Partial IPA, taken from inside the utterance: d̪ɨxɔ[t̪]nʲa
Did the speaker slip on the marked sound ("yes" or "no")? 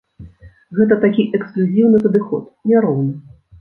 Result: no